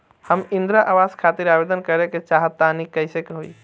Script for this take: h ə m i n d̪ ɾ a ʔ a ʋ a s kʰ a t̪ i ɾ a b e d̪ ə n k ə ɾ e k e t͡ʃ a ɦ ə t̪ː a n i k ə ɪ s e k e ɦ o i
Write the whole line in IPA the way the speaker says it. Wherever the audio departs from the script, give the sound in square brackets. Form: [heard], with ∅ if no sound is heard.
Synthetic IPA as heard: h ə m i n d̪ ɾ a ʔ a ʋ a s kʰ a t̪ i ɾ a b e d̪ ə n k ə ɾ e k e t͡ʃ a ɦ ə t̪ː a n i k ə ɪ s e k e ɦ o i